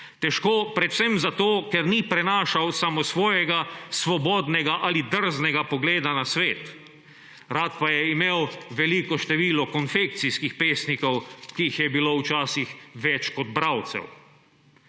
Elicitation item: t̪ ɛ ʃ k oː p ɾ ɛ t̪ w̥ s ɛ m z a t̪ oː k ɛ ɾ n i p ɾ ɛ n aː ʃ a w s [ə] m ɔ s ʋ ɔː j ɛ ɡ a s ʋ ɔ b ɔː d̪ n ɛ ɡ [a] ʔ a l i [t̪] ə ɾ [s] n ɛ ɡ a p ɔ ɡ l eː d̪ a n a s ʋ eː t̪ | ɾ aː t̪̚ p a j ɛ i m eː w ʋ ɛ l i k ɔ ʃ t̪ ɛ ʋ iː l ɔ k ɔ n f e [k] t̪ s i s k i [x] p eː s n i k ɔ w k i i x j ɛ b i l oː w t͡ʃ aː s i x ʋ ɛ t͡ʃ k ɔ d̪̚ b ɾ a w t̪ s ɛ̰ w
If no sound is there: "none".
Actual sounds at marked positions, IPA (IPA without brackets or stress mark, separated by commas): a, a, d̪, z, k, x